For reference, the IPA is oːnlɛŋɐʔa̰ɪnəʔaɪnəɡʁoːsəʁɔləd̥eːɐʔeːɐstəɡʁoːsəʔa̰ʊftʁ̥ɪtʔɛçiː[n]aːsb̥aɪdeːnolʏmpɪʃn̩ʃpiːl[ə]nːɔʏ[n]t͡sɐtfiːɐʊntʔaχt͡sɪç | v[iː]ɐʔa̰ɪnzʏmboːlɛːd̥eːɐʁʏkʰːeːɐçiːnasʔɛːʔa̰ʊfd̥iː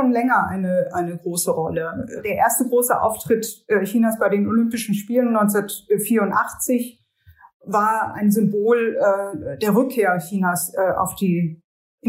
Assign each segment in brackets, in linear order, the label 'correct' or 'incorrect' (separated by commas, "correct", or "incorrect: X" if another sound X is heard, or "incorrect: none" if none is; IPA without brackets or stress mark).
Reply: correct, correct, correct, incorrect: aː